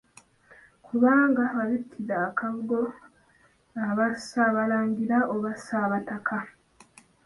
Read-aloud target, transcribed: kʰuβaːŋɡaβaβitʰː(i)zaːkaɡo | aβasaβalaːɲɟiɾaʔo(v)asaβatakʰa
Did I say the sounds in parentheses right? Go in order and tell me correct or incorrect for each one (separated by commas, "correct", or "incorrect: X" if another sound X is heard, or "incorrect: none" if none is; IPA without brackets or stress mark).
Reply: correct, incorrect: β